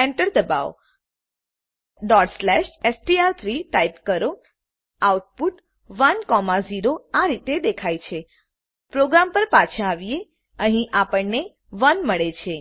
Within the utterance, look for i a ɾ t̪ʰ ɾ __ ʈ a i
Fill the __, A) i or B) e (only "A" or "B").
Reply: A